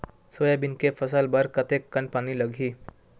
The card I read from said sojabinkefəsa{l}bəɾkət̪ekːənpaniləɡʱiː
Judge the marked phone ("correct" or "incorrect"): correct